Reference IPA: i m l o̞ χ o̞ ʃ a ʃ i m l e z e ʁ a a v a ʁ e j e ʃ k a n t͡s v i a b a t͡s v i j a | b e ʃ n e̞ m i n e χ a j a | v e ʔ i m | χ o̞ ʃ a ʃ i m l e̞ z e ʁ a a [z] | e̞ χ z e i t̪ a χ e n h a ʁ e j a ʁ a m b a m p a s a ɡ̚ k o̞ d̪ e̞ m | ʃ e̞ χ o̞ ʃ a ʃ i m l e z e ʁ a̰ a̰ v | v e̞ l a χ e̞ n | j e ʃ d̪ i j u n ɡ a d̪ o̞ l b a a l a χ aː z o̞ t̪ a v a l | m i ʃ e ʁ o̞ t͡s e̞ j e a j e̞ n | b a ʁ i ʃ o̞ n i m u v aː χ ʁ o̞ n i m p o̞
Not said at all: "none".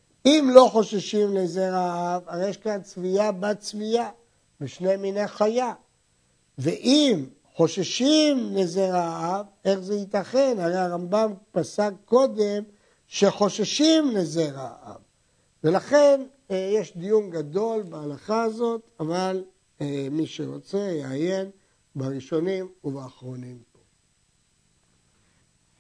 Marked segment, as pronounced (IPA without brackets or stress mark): v